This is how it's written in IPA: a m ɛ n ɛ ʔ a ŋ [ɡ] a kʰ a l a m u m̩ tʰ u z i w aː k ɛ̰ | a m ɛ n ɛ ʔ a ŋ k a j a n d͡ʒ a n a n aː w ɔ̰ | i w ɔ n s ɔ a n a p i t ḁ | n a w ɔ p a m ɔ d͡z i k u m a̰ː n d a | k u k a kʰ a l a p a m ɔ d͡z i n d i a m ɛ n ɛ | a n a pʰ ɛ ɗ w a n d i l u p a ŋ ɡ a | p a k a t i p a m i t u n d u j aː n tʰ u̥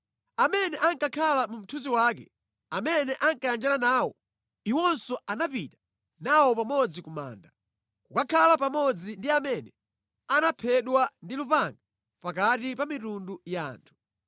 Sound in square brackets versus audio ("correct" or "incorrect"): incorrect